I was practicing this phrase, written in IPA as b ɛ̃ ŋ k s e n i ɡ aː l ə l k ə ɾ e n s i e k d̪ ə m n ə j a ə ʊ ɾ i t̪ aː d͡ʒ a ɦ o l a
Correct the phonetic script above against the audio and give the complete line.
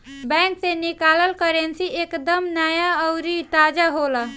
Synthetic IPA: b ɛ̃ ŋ k s e n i k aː l ə l k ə ɾ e n s i e k d̪ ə m n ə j a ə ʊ ɾ i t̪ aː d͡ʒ a ɦ o l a